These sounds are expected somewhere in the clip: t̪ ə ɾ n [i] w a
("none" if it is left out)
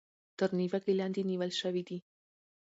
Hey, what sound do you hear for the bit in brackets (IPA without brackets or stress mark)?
i